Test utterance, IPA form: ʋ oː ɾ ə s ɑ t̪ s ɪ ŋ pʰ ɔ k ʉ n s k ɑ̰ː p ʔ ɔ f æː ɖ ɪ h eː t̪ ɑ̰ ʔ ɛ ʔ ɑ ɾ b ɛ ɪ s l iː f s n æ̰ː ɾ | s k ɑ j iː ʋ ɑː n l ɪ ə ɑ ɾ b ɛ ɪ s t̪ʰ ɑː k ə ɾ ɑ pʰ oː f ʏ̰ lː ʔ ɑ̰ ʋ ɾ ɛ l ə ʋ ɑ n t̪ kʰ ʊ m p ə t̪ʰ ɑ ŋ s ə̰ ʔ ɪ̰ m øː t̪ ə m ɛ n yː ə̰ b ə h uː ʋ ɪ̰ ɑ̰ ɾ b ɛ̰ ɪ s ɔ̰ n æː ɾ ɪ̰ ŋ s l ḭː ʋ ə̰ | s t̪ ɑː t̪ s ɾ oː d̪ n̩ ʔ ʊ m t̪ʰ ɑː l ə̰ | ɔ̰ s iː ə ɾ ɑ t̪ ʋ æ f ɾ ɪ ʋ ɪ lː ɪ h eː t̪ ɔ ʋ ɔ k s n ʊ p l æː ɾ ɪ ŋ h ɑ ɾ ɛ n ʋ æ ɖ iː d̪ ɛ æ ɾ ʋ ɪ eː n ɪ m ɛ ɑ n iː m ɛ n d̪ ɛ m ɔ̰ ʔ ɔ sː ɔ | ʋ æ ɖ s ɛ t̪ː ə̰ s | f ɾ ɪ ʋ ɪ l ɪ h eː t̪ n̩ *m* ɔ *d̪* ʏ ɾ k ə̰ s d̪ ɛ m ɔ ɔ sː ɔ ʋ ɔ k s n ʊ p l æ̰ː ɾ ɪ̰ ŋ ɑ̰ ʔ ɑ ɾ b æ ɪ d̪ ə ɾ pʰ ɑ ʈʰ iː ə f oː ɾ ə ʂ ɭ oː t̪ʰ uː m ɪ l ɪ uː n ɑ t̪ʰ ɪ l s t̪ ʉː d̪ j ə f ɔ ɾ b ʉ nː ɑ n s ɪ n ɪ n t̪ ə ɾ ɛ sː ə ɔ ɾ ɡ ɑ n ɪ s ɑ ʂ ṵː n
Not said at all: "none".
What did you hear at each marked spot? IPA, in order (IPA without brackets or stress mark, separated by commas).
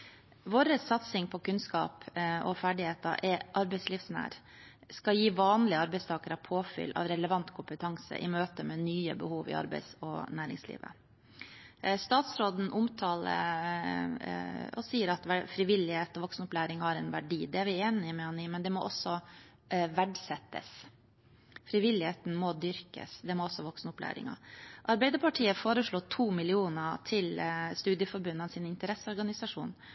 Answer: m, d̪